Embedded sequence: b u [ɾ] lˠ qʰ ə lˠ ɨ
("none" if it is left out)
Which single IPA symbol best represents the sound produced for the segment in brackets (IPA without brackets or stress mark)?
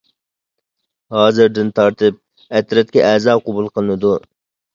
none